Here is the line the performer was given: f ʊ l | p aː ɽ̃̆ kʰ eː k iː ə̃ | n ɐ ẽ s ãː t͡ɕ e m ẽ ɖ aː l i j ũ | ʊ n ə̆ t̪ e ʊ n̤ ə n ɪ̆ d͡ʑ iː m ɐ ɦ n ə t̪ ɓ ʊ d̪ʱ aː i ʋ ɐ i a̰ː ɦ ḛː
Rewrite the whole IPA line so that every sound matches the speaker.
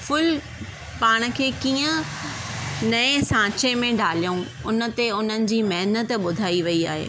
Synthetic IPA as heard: f ʊ l | p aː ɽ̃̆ kʰ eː k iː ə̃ | n ɐ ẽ s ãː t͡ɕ e m ẽ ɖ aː l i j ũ | ʊ n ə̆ t̪ e ʊ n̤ ə n ɪ̆ d͡ʑ iː m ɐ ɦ n ə t̪ ɓ ʊ d̪ʱ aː i ʋ ɐ i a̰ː ɦ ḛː